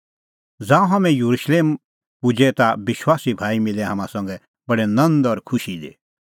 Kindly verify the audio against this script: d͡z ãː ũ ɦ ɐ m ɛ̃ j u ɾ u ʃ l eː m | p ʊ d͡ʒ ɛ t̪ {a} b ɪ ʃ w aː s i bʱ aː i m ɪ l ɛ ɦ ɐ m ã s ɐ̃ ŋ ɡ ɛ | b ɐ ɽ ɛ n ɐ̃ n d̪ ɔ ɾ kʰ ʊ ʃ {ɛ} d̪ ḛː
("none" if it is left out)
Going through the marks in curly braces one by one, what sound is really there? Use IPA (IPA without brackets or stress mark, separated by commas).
a, i